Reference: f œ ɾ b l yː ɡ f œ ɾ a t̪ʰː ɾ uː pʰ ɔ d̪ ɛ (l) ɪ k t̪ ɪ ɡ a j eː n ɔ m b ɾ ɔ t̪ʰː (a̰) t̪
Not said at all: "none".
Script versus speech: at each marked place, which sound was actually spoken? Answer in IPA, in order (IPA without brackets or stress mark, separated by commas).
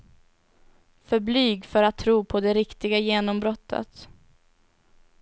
ɾ, ə̰